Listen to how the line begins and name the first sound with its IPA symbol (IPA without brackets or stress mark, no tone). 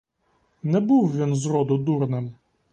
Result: n